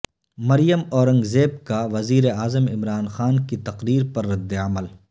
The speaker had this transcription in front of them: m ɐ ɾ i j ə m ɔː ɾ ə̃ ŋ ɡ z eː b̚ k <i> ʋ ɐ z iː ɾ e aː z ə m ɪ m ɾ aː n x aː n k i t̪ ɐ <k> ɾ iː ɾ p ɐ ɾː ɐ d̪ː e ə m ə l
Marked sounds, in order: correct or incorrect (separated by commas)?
incorrect, incorrect